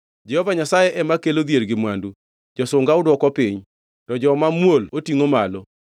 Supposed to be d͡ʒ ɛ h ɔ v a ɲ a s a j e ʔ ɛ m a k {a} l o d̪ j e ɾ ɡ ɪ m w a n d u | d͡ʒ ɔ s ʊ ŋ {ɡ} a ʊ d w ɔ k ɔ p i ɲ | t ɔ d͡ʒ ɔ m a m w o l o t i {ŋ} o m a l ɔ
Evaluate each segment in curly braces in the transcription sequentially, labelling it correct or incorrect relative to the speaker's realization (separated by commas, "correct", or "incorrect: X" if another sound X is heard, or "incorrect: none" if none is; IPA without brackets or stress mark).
incorrect: e, correct, correct